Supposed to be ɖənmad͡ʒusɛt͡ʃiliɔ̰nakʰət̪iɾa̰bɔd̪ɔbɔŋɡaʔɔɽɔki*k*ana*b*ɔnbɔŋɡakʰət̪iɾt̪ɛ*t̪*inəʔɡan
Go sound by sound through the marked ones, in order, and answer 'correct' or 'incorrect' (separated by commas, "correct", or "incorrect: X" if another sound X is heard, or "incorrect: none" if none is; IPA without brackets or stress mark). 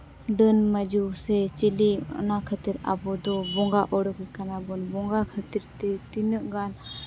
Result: correct, correct, correct